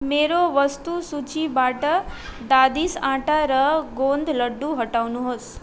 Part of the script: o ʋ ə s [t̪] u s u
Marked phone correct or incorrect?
correct